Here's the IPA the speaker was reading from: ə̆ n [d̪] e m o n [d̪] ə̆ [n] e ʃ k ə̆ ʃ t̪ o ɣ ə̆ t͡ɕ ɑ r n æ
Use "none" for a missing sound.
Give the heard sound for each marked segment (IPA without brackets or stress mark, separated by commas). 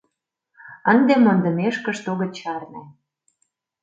d̪, d̪, m